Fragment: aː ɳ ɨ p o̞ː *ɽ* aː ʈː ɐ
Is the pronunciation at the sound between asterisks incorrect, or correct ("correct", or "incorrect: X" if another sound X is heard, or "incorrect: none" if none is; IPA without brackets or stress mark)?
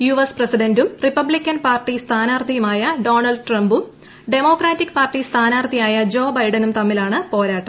incorrect: ɾ